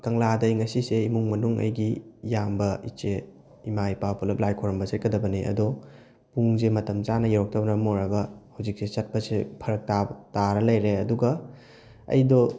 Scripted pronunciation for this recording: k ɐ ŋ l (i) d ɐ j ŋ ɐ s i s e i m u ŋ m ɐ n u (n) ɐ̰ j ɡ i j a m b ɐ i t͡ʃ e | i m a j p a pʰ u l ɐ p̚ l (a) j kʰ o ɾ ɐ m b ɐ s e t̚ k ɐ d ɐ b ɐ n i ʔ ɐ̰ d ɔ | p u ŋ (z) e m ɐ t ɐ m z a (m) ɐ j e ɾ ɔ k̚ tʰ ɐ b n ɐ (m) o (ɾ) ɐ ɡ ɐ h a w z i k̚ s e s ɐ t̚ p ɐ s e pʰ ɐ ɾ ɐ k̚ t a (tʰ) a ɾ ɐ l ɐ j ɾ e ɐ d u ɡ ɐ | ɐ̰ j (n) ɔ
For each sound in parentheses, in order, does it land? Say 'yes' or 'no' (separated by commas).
no, no, yes, yes, no, yes, yes, no, no